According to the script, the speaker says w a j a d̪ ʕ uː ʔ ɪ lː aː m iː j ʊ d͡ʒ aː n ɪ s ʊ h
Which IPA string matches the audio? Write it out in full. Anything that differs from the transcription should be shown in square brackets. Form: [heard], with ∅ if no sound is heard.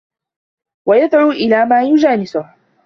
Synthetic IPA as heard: w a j a d̪ ʕ uː ʔ ɪ [l] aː m [aː] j ʊ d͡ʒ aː n ɪ s ʊ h